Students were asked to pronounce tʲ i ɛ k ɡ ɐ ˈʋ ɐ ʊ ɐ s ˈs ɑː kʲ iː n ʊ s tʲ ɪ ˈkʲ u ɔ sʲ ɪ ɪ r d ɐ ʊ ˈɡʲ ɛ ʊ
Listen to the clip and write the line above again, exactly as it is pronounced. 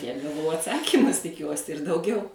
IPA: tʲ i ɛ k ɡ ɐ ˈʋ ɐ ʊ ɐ t ˈs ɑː kʲ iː m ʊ s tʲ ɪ ˈkʲ u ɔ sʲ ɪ ɪ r d ɐ ʊ ˈɡʲ ɛ ʊ